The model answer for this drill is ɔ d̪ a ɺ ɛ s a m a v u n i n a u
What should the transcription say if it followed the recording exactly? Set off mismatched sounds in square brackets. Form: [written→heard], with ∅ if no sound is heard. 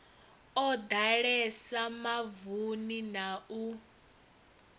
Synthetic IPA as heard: ɔ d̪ a ɺ ɛ s a m a v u n i n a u